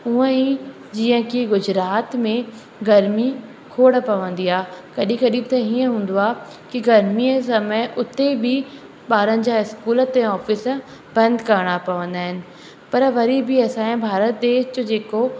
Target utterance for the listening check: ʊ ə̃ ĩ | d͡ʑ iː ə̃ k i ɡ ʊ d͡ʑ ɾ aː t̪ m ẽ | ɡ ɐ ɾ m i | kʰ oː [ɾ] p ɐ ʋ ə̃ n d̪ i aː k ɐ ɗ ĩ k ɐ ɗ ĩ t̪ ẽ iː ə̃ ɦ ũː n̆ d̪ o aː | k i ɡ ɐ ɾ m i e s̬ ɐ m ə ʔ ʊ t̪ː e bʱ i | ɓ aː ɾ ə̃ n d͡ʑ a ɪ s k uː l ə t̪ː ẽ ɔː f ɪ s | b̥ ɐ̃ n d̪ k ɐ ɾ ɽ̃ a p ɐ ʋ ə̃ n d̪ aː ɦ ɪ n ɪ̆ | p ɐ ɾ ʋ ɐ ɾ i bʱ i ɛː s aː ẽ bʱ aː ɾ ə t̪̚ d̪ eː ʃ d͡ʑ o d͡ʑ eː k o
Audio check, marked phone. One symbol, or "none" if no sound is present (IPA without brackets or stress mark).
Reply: ɽ